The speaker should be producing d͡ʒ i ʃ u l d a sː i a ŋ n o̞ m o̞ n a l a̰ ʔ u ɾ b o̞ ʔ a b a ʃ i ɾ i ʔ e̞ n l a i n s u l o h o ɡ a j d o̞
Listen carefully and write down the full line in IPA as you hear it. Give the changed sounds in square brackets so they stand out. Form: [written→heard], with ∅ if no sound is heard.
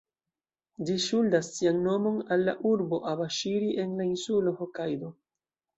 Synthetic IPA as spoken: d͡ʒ i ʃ u l d a sː i a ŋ n o̞ m o̞ n a [l→lː] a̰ ʔ u ɾ b o̞ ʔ a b a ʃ i ɾ i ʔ e̞ n l a i n s u l o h o [ɡ→k] a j d o̞